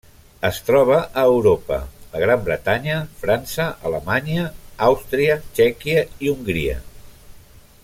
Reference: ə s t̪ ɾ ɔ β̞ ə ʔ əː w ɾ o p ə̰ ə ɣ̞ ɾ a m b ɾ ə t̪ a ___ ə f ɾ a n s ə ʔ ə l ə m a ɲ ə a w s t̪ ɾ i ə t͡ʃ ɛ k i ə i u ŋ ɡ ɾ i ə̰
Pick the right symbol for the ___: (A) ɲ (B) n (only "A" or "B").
A